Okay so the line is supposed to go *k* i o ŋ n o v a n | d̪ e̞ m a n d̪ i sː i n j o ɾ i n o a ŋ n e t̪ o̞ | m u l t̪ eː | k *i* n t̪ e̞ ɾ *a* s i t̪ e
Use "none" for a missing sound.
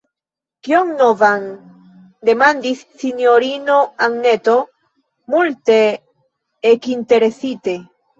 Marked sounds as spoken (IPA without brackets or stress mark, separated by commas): k, i, e